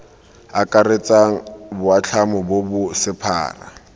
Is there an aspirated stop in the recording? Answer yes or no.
yes